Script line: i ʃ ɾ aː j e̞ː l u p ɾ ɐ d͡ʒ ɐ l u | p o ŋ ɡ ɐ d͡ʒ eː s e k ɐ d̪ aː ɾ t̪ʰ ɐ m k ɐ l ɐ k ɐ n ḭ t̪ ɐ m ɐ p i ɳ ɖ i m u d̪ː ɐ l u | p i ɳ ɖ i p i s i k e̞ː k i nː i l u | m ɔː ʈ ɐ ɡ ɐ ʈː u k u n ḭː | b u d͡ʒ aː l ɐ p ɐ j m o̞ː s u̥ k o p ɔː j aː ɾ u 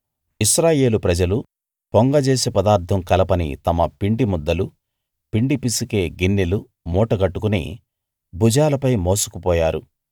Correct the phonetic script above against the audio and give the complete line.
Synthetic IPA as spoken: i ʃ ɾ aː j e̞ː l u p ɾ ɐ d͡ʒ ɐ l u | p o ŋ ɡ ɐ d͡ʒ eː s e p ɐ d̪ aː ɾ t̪ʰ ɐ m k ɐ l ɐ p ɐ n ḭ t̪ ɐ m ɐ p i ɳ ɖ i m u d̪ː ɐ l u | p i ɳ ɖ i p i s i k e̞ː ɡ i nː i l u | m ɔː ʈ ɐ ɡ ɐ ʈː u k u n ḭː | b u d͡ʒ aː l ɐ p ɐ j m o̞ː s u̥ k u p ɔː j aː ɾ u